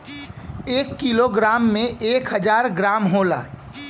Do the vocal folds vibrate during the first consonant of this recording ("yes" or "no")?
no